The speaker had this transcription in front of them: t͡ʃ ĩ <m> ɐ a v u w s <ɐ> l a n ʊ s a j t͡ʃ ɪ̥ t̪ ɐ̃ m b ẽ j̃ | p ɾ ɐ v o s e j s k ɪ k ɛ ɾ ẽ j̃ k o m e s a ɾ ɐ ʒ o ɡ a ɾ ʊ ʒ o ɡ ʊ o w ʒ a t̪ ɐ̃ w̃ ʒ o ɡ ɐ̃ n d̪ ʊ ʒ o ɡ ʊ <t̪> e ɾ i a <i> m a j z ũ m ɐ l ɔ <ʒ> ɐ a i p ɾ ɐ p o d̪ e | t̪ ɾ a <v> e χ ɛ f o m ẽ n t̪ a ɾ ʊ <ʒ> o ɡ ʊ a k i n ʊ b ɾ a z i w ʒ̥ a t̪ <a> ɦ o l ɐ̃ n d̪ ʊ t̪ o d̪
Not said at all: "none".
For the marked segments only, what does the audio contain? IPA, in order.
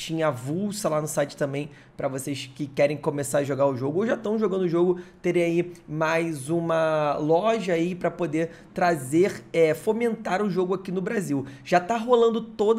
ɲ, ɐ, t̪, i, ʒ, z, ʒ, a

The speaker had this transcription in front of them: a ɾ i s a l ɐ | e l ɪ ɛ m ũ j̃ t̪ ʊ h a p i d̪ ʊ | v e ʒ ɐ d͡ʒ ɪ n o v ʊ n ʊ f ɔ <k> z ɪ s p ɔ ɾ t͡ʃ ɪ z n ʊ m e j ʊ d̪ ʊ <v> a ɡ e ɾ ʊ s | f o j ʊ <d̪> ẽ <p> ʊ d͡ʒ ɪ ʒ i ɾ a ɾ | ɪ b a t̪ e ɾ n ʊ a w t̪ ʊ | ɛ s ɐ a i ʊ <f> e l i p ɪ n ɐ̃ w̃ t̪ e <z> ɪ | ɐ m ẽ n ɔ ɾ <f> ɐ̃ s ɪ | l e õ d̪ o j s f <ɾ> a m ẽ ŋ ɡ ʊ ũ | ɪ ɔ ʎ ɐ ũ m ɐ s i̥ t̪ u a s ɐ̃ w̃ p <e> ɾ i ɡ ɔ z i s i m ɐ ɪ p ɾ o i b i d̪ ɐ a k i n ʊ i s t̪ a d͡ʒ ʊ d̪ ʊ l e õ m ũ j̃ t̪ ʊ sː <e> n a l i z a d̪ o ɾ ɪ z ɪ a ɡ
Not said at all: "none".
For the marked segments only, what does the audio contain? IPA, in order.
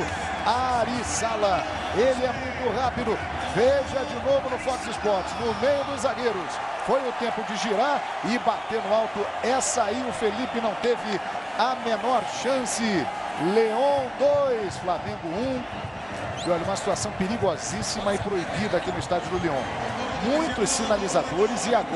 k, z, t̪, p, f, v, ʃ, l, e, i

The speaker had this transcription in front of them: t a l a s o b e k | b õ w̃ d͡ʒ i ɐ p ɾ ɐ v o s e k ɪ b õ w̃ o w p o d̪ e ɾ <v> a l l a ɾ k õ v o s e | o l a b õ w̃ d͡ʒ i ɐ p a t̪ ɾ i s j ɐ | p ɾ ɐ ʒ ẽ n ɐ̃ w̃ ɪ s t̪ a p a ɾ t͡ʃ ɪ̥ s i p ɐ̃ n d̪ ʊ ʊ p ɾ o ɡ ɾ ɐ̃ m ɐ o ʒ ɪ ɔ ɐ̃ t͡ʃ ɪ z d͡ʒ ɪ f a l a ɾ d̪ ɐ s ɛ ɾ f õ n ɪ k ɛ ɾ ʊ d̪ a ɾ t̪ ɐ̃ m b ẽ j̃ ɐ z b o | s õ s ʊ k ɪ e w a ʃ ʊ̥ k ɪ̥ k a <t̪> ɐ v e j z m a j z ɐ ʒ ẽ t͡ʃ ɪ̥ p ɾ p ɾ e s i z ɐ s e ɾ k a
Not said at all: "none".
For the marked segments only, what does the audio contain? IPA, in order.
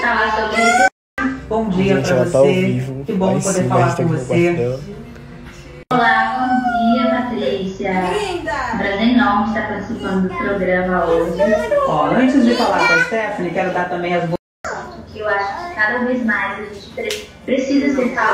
f, d̪

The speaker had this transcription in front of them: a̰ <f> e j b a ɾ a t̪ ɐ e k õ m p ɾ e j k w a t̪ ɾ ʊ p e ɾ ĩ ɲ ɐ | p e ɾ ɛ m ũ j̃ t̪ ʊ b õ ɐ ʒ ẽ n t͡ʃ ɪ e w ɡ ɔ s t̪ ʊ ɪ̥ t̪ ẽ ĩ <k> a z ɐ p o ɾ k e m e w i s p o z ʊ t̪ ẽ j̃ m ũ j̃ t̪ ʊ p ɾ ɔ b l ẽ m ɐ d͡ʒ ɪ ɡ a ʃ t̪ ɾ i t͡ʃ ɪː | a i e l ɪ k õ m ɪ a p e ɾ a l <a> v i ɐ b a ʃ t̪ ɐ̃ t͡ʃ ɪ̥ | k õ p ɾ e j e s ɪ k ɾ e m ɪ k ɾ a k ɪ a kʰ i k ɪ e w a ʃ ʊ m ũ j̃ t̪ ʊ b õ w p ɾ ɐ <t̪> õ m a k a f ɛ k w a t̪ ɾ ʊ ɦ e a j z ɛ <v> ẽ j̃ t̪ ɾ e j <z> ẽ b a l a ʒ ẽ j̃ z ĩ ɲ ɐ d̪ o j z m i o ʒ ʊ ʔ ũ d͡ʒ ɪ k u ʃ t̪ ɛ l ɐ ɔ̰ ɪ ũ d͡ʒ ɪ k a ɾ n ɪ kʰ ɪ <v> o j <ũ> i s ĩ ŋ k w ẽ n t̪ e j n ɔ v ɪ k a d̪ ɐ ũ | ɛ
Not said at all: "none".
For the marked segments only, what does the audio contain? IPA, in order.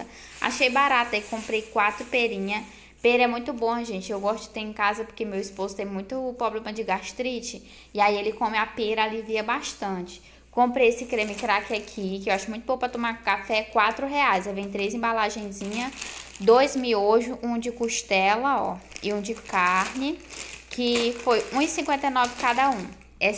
ʃ, k, i, t̪, v, z, f, ũ

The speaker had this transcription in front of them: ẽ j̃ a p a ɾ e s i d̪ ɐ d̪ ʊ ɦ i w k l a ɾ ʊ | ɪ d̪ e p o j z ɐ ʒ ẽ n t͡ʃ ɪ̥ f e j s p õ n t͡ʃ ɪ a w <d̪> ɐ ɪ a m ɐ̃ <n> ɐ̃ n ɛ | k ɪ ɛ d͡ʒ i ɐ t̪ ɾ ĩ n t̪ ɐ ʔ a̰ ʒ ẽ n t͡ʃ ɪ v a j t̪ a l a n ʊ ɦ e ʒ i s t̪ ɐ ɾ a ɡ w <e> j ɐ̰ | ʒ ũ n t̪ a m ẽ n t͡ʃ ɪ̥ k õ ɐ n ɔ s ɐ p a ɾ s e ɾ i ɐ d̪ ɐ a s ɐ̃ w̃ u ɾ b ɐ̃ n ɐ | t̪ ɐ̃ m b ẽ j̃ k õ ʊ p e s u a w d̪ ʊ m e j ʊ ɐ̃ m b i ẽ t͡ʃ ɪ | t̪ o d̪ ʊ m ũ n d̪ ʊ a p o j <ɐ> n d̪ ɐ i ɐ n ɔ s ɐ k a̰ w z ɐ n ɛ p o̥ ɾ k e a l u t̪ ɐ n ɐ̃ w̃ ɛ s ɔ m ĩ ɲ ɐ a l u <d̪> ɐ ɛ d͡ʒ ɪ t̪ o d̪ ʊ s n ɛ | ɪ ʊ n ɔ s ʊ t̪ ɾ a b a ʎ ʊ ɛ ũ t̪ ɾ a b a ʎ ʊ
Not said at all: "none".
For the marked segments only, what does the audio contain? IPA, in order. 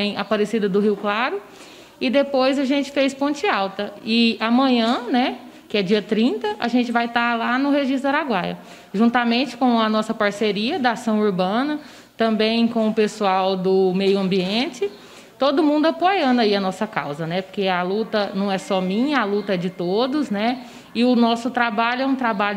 t̪, ɲ, a, ɐ̃, t̪

